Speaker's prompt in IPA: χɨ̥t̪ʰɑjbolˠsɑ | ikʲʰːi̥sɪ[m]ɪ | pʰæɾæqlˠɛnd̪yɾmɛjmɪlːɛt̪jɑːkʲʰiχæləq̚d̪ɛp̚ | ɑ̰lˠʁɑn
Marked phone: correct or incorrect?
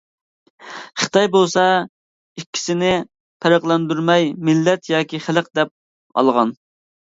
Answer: incorrect